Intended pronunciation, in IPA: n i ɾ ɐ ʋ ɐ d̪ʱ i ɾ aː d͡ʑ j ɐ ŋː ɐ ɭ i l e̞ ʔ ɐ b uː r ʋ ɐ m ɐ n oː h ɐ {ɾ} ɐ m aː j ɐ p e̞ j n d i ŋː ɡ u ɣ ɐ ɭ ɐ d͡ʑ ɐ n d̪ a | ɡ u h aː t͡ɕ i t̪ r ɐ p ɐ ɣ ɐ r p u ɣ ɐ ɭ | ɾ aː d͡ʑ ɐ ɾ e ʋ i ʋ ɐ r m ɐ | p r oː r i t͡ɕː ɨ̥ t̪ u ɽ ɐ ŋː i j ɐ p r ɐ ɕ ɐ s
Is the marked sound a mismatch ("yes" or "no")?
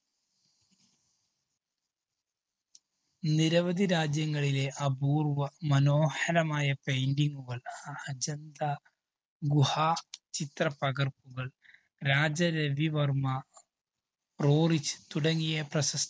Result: yes